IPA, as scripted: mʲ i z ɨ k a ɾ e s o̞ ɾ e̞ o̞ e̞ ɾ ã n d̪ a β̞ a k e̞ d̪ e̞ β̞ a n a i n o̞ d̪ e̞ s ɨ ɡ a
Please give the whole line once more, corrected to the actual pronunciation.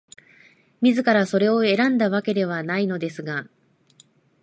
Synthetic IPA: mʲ i z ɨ k a ɾ a s o̞ ɾ e̞ o̞ e̞ ɾ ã n d̪ a β̞ a k e̞ d̪ e̞ β̞ a n a i n o̞ d̪ e̞ s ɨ ɡ a